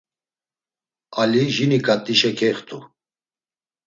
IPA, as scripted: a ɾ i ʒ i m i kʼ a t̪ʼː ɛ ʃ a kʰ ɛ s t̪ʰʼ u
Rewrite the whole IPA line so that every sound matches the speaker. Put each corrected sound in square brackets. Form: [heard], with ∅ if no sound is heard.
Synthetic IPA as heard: a [l] i ʒ i [n] i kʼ a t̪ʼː [i] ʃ [ɛ] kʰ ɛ [χ] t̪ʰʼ u